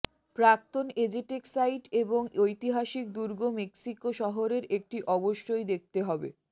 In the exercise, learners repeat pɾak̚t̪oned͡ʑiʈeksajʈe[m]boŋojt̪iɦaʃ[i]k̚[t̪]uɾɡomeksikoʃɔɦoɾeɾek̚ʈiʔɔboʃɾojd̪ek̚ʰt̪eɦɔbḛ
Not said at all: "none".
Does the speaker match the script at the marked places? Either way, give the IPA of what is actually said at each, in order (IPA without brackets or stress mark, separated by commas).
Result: none, i, d̪